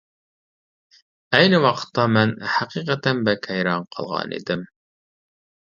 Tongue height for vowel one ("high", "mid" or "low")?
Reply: low